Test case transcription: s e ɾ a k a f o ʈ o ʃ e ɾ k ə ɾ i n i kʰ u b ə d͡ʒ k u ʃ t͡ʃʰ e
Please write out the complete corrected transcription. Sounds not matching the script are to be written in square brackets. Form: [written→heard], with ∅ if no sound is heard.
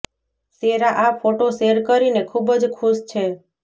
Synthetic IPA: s e ɾ a [k→ʔ] a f o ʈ o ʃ e ɾ k ə ɾ i n [i→e] kʰ u b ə d͡ʒ [k→kʰ] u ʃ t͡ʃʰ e

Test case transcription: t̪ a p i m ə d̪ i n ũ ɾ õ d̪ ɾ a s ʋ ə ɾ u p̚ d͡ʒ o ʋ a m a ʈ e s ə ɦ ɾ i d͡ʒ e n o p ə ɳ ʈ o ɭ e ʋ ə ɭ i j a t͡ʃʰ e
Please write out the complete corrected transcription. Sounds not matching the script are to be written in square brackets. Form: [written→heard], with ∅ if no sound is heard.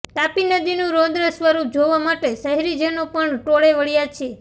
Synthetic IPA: t̪ a p i [m→n] ə d̪ i n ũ ɾ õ d̪ ɾ [a→ə] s ʋ ə ɾ u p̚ d͡ʒ o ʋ a m a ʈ e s ə ɦ ɾ i d͡ʒ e n o p ə ɳ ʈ o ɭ e ʋ ə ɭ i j a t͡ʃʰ e

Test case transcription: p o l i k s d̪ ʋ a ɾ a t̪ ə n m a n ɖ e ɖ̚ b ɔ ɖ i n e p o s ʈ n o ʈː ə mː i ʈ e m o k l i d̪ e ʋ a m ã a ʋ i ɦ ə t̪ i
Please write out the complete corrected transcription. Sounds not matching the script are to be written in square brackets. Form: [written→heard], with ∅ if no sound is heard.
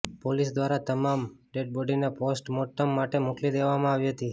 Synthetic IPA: p o l i [k→∅] s d̪ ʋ a ɾ a t̪ ə [n→∅] m a [n→m] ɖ e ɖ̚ b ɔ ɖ i n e p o s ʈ [n→m] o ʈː ə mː [i→a] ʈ e m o k l i d̪ e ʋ a m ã a ʋ i ɦ ə t̪ i

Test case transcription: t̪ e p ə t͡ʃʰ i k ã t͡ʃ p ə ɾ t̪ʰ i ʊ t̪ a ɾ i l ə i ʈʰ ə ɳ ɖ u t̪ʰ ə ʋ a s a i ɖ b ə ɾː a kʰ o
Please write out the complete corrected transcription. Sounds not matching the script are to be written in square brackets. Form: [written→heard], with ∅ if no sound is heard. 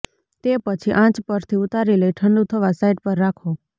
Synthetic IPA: t̪ e p ə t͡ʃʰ i [k→ʔ] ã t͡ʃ p ə ɾ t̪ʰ i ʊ t̪ a ɾ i l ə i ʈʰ ə ɳ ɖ u t̪ʰ ə ʋ a s a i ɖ [b→p] ə ɾː a kʰ o

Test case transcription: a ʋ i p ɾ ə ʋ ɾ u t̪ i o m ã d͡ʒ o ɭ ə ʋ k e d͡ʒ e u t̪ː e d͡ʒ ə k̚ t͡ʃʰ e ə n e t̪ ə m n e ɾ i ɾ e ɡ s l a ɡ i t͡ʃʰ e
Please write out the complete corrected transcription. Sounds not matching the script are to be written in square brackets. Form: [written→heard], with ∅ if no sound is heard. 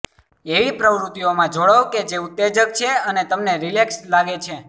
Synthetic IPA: [a→e] ʋ i p ɾ ə ʋ ɾ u t̪ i o m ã d͡ʒ o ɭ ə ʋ k e d͡ʒ e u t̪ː e d͡ʒ ə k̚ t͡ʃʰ e ə n e t̪ ə m n e ɾ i [ɾ→l] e [ɡ→k] s l a ɡ [i→e] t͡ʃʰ e

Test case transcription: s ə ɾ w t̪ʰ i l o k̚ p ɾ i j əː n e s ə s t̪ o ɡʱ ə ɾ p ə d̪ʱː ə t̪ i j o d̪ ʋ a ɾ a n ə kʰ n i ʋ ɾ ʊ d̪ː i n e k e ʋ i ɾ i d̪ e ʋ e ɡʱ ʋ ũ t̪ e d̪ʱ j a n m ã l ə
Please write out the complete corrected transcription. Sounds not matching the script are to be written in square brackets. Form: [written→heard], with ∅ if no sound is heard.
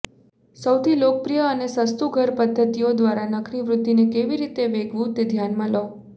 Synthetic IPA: s ə [ɾ→∅] w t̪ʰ i l o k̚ p ɾ i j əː n e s ə s t̪ [o→u] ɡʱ ə ɾ p ə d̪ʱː ə t̪ i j o d̪ ʋ a ɾ a n ə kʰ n i ʋ ɾ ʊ d̪ː i n e k e ʋ i ɾ i [d̪→t̪] e ʋ e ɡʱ ʋ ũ t̪ e d̪ʱ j a n m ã l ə

